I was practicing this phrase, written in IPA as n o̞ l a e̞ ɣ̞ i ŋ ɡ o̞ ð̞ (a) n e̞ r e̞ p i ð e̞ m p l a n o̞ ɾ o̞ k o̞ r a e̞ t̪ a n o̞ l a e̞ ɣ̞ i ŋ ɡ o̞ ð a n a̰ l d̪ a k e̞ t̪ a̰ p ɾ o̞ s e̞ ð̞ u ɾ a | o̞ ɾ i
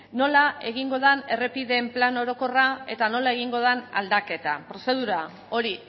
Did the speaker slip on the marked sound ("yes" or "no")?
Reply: no